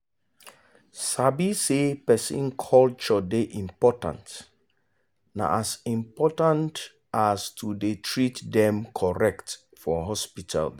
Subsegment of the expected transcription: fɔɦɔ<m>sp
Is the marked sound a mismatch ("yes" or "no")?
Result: yes